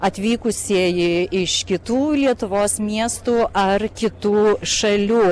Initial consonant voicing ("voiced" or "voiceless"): voiceless